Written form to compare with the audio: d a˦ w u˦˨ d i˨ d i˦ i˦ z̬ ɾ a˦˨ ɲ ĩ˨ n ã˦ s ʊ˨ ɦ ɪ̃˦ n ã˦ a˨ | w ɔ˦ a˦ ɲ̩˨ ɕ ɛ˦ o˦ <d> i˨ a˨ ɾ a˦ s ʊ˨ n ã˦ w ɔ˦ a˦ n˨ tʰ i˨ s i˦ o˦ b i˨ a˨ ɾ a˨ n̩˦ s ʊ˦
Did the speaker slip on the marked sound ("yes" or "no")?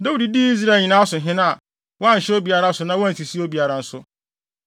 yes